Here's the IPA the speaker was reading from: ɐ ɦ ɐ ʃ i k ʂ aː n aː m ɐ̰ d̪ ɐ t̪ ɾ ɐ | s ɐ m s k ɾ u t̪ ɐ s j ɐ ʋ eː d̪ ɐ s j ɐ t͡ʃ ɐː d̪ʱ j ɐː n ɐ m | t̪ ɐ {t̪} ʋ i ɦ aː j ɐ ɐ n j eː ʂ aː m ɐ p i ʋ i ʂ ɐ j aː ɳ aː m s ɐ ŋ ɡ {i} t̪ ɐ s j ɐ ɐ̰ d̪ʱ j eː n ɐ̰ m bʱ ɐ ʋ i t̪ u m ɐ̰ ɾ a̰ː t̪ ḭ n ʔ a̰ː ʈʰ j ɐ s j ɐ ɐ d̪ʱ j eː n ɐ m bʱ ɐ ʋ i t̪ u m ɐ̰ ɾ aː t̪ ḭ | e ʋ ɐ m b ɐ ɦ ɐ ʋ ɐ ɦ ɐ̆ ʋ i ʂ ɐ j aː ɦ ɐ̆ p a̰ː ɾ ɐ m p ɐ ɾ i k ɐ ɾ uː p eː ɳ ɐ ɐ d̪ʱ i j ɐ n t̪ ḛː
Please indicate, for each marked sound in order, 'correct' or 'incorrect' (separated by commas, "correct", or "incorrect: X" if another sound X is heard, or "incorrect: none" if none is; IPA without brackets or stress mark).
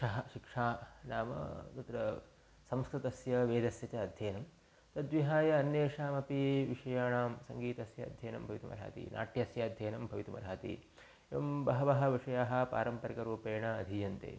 incorrect: d̪, incorrect: iː